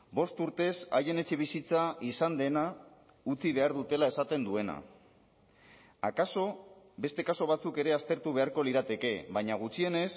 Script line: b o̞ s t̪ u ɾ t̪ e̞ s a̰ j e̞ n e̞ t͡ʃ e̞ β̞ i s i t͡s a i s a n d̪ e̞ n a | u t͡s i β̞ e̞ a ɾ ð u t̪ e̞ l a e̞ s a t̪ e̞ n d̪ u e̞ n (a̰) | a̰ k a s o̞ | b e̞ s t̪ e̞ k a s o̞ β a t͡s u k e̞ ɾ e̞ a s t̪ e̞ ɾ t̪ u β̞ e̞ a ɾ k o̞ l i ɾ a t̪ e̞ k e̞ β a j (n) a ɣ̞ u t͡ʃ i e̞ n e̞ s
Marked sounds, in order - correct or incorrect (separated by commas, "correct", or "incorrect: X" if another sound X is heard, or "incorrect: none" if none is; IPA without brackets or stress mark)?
correct, incorrect: ɲ